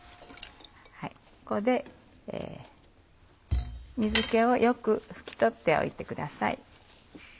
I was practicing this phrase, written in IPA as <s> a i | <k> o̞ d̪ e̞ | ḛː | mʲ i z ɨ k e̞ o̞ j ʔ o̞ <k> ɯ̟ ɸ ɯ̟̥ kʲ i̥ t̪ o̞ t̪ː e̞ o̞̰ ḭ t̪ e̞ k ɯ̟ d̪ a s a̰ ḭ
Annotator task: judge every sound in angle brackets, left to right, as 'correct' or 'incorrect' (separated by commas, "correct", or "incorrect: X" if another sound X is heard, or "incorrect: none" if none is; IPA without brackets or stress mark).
incorrect: h, correct, correct